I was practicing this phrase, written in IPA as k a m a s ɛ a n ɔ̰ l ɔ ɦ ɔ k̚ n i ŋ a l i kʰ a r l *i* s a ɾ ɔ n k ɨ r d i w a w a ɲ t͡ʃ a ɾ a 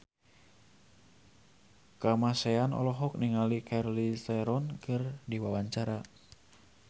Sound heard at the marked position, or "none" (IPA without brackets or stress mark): i